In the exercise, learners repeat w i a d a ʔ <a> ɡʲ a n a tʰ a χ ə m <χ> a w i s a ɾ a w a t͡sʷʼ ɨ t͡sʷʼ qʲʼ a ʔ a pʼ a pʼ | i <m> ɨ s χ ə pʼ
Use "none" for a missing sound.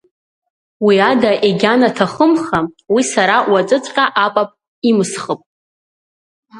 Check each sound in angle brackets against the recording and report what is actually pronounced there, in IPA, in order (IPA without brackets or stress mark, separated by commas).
e, χ, m